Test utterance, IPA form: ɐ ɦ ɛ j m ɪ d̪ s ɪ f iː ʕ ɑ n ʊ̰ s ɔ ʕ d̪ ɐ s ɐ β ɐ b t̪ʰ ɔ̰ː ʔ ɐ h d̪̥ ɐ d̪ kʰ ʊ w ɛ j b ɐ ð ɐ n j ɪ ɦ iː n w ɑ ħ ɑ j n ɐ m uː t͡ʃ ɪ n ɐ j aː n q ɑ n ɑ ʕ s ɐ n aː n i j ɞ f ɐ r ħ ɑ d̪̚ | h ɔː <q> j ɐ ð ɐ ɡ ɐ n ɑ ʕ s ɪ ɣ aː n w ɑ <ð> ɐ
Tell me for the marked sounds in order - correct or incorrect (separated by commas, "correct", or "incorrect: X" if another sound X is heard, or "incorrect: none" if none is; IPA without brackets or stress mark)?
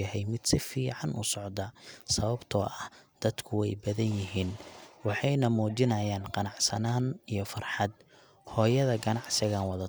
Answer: incorrect: none, correct